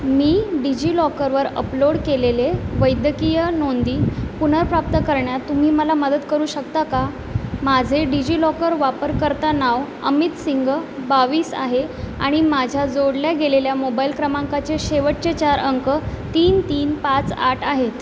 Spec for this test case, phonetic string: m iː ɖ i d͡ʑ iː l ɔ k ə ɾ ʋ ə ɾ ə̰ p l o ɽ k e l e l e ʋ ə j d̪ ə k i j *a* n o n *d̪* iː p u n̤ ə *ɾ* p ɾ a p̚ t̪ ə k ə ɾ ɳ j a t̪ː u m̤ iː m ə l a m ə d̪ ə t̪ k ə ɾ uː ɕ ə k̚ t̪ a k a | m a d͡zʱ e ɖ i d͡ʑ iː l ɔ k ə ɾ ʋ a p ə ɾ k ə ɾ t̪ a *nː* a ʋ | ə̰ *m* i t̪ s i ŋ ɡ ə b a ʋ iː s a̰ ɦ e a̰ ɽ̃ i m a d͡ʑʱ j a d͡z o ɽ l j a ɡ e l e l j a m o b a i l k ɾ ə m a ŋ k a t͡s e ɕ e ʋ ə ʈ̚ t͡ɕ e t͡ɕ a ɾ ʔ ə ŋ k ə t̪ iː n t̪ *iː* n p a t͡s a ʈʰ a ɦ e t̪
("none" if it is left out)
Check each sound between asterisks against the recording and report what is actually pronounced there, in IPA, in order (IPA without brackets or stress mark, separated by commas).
ə, d̪, ɾ, n, m, iː